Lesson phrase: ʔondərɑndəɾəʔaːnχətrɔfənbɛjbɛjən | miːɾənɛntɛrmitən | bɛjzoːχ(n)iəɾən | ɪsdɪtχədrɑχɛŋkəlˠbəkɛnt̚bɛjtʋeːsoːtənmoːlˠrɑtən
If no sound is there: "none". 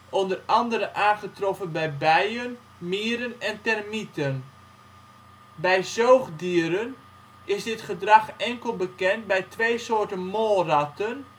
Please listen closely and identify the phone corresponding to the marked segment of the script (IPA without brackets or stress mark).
d